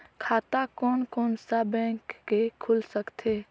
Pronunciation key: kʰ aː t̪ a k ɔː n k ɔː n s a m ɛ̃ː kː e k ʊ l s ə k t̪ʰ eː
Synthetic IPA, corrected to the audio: kʰ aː t̪ a k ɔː n k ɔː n s a b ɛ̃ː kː e kʰ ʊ l s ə k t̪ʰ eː